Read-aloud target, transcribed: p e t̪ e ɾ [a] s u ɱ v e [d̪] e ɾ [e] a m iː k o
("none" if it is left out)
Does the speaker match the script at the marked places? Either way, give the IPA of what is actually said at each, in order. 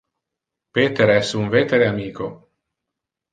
ɛ, t̪, e

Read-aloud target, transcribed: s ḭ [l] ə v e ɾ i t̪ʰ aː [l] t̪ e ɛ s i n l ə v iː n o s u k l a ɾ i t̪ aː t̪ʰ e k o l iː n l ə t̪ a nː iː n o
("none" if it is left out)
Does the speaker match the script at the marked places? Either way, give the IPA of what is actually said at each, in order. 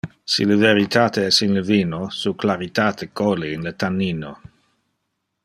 l, none

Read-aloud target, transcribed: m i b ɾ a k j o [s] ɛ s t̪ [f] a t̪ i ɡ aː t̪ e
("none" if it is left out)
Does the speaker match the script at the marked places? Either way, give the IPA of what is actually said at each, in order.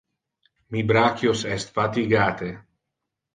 s, f

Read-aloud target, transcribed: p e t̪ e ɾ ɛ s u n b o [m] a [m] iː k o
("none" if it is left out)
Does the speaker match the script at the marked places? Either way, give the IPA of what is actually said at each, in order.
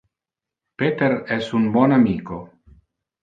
n, m

